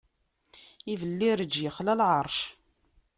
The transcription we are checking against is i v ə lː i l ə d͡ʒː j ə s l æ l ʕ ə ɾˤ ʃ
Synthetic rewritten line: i v ə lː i ɾ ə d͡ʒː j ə χ l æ l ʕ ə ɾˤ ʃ